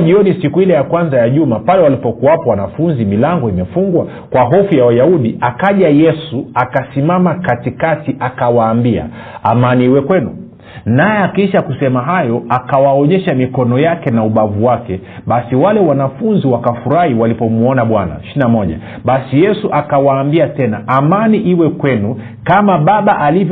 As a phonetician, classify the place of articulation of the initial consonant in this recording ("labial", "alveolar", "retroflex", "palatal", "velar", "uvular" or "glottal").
palatal